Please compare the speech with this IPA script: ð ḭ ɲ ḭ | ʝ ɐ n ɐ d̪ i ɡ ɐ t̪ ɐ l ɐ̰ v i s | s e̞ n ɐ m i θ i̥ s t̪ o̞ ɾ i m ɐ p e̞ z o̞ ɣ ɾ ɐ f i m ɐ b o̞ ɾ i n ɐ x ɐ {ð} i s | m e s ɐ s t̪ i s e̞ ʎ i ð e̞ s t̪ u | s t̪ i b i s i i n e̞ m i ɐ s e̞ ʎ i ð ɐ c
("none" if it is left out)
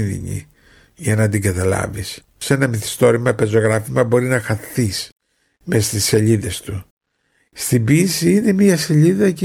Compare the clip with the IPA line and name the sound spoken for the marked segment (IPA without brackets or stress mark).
θ